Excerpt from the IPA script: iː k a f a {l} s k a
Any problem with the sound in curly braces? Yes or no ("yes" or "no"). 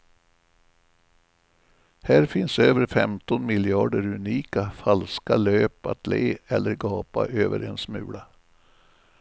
no